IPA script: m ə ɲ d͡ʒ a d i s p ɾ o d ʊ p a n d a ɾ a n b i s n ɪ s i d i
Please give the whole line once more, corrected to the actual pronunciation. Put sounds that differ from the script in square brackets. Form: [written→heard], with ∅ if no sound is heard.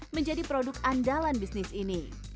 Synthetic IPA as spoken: m ə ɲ d͡ʒ a d i [s→∅] p ɾ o d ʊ [p→k] a n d a [ɾ→l] a n b i s n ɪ s i [d→n] i